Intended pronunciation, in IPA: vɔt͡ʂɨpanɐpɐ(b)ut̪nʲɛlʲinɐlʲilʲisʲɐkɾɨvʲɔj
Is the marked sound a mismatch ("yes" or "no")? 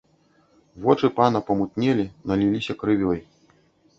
yes